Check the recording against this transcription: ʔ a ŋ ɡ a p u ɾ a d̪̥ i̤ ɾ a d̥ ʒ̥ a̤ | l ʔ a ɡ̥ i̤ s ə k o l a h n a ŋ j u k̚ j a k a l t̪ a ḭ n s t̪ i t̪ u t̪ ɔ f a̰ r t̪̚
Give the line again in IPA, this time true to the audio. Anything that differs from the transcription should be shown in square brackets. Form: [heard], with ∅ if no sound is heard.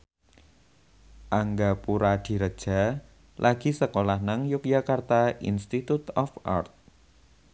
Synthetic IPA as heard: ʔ a ŋ ɡ a p u ɾ a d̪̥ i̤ ɾ [ə] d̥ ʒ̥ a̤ | l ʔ a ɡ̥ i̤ s ə k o l a h n a ŋ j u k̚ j a k a [r] t̪ a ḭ n s t̪ i t̪ u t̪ ɔ f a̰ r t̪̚